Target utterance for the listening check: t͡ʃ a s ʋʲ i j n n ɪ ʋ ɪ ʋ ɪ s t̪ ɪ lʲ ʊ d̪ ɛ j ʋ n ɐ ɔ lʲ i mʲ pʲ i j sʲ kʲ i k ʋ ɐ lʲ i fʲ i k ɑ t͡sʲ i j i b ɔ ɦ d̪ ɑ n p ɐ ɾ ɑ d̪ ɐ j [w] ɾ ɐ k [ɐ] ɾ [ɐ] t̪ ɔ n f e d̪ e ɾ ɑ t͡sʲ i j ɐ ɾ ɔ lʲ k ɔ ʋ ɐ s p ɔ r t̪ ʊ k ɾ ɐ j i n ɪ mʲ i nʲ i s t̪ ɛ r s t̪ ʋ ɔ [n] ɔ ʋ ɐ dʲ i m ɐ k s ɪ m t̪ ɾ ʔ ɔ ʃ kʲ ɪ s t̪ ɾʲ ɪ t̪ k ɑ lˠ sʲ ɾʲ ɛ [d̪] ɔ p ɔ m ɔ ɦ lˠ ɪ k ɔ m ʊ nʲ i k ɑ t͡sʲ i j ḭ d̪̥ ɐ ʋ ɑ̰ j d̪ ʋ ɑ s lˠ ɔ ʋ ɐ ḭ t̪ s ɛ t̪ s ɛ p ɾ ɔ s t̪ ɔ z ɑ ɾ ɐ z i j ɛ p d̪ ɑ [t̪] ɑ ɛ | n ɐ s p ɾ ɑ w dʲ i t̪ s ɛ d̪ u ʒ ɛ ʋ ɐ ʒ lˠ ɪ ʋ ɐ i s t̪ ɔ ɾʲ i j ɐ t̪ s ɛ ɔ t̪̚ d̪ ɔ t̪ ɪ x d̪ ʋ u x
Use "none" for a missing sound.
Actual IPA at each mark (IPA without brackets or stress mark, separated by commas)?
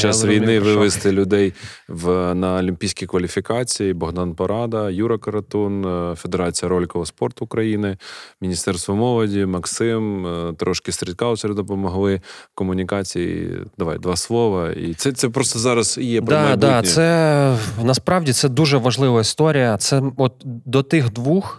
u, ɐ, ɐ, m, d̪, d̪